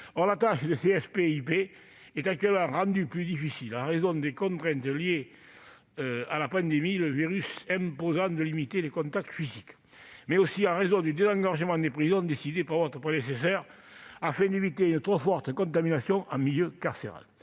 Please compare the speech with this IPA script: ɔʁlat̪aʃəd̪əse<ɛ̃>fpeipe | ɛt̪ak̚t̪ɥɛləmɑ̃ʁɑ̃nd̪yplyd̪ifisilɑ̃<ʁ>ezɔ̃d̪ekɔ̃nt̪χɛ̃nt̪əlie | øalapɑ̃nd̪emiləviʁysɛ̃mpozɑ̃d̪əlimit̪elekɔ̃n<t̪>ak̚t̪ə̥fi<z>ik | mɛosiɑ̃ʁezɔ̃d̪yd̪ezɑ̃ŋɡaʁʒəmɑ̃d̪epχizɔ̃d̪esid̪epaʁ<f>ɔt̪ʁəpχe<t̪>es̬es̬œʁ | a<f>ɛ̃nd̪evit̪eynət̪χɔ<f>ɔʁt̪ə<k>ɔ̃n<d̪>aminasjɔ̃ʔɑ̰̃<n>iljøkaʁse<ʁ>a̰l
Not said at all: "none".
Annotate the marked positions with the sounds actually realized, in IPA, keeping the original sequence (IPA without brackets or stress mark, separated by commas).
ɛ, ʁ, t̪, z, v, d̪, f, f, k, t̪, m, ʁ